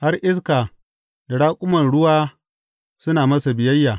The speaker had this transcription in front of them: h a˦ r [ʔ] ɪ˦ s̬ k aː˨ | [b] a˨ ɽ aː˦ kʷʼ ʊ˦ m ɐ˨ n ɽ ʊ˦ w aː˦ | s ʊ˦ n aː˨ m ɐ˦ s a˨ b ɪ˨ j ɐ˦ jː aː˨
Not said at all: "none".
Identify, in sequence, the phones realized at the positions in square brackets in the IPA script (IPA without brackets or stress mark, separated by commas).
ʔ, d